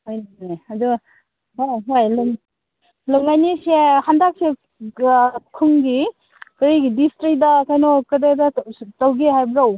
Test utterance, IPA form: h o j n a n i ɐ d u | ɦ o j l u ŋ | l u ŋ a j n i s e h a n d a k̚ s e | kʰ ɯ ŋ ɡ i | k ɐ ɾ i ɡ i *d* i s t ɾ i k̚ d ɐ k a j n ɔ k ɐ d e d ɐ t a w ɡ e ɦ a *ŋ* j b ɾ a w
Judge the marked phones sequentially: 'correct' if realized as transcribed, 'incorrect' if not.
correct, incorrect: none

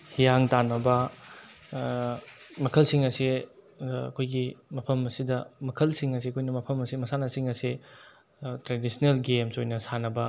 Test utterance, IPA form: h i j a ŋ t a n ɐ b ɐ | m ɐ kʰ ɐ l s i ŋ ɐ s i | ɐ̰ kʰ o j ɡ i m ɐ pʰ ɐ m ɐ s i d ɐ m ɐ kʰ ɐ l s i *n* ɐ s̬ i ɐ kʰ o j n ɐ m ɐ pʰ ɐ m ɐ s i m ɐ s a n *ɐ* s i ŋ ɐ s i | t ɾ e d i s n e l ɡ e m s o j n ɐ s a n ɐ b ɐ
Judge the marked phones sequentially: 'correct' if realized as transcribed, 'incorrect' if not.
incorrect: ŋ, correct

